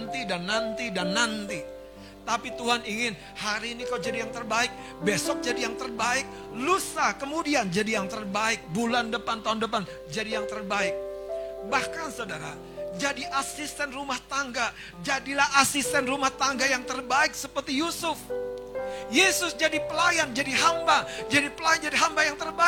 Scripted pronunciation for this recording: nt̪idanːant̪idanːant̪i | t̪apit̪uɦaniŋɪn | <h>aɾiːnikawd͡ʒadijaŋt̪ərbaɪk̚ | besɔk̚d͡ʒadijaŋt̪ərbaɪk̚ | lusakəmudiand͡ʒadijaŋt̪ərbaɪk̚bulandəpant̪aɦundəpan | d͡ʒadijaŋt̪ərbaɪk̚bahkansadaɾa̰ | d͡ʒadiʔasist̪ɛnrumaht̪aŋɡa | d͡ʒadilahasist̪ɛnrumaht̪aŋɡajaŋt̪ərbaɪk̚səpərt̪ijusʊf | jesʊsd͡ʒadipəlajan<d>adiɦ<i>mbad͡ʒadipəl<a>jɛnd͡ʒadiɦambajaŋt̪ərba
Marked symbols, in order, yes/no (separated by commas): yes, no, no, yes